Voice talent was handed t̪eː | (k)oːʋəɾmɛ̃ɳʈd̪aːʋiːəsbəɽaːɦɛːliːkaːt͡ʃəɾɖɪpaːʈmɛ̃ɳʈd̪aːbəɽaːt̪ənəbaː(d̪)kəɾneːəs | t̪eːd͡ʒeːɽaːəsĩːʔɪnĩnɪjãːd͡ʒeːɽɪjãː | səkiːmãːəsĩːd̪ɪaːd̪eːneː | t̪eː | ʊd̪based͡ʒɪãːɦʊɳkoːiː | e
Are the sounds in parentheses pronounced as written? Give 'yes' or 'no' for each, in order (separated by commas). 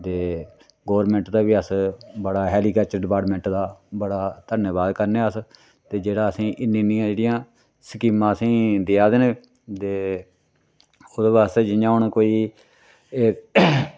no, yes